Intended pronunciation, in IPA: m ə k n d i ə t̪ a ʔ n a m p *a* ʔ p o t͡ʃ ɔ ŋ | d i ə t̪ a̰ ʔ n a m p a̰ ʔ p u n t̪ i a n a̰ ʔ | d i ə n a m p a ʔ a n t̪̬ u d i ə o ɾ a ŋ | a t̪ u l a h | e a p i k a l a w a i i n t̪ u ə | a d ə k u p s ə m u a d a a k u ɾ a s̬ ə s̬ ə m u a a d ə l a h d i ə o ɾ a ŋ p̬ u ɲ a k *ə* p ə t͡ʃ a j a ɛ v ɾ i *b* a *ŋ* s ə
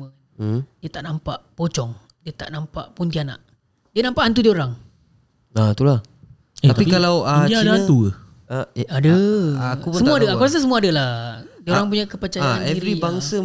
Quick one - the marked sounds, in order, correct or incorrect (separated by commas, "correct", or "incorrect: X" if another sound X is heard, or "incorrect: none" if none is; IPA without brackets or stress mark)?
correct, correct, correct, correct